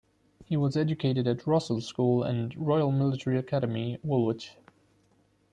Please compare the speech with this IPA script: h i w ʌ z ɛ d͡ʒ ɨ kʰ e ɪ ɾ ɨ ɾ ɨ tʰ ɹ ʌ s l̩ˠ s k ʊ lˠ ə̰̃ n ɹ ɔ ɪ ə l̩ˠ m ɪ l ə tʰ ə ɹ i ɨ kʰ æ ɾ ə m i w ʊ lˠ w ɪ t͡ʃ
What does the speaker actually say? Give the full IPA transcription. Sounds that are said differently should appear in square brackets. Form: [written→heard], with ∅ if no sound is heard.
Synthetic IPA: h i w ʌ z ɛ d͡ʒ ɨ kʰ e ɪ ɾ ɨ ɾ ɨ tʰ ɹ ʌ s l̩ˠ s k [ʊ→u] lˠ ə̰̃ n ɹ ɔ ɪ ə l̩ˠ m ɪ l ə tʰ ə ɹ i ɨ kʰ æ ɾ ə m i w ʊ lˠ w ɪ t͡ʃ